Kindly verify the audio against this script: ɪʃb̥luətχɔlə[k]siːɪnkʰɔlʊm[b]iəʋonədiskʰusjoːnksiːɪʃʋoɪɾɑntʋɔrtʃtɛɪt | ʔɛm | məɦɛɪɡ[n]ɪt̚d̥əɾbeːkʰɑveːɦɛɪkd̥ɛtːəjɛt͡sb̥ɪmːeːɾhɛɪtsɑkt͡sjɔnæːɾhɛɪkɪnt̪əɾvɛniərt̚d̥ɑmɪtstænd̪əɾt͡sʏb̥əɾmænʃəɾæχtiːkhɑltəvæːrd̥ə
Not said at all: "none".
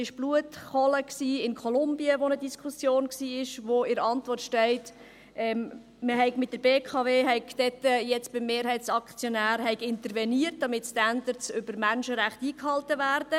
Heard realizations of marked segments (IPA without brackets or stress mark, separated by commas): k, b, m